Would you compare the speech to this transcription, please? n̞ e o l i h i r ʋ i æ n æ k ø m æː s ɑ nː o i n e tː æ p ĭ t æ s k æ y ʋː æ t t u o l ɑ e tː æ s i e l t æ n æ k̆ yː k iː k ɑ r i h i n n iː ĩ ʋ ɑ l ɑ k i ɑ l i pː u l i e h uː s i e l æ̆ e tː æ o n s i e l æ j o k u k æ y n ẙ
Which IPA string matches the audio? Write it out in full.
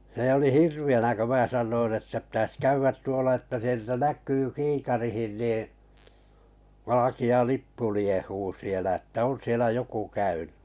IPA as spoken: n̞ e o l i h i r ʋ i æ n æ k ø m æː s ɑ nː o i n e tː æ p ĭ t æ s k æ y ʋː æ t t u o l ɑ e tː æ s i e l t æ n æ k̆ yː k iː k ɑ r i h i n n iː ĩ ʋ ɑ l ɑ k i ɑ l i pː u l i e h uː s i e l æ̆ e tː æ o n s i e l æ j o k u k æ y n ẙ